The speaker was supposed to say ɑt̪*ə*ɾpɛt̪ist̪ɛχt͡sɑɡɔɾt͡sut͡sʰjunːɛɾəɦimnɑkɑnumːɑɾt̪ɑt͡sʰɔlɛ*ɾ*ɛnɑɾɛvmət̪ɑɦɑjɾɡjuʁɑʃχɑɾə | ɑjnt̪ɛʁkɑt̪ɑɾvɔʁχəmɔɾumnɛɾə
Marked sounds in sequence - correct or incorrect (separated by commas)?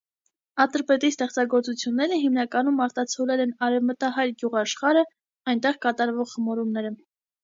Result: correct, incorrect